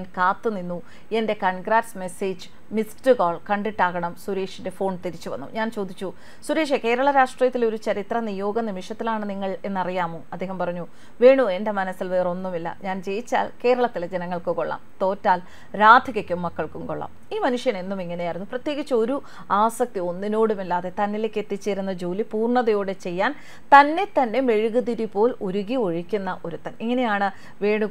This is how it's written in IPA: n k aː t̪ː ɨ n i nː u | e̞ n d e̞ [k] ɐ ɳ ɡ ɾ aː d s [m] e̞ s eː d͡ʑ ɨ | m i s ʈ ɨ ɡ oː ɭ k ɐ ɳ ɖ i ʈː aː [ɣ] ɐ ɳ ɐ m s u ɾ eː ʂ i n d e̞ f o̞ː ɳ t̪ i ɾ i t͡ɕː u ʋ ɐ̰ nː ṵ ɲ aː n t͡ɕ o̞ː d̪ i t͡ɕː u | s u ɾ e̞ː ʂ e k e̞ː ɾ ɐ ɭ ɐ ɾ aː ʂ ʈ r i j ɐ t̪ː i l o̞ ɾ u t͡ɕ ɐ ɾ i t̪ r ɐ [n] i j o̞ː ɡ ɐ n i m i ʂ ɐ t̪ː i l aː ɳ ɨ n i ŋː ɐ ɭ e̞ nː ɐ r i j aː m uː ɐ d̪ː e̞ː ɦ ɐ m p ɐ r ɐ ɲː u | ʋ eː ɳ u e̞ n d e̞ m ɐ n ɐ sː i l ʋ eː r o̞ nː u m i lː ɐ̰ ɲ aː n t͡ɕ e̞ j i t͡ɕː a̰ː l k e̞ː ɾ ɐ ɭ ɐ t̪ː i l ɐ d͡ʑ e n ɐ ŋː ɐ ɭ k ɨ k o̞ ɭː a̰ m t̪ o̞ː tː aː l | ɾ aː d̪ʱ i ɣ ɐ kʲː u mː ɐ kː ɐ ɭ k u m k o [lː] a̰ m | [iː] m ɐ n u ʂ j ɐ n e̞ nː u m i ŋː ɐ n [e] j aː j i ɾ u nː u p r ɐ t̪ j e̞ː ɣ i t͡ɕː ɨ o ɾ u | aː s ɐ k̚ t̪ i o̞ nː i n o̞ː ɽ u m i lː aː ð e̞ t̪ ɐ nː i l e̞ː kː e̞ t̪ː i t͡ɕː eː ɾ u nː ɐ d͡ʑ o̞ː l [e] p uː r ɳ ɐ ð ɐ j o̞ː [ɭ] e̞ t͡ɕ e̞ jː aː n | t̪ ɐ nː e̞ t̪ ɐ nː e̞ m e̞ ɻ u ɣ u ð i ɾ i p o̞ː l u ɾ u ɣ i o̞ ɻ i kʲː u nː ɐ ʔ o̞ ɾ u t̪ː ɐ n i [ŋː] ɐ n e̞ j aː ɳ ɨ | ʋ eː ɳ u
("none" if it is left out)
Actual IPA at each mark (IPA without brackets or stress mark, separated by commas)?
k, m, ɣ, n, ɭː, iː, e, i, ɽ, ŋː